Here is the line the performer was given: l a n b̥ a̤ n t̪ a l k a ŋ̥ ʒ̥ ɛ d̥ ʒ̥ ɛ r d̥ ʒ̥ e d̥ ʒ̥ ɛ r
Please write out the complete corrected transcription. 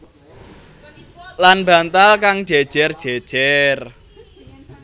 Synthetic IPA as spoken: l a n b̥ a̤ n t̪ a l k a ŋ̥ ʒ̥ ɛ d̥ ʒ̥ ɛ r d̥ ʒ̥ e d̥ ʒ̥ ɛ r